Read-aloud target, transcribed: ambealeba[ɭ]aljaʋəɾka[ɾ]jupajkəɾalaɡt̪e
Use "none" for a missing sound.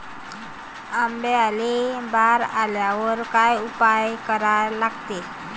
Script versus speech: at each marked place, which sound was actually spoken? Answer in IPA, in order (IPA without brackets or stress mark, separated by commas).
ɾ, none